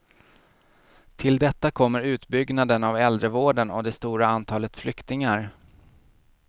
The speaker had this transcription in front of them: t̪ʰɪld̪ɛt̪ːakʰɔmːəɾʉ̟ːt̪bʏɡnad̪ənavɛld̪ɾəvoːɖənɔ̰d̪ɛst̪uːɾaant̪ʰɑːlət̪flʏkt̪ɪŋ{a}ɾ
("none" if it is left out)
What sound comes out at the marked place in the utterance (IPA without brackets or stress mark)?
a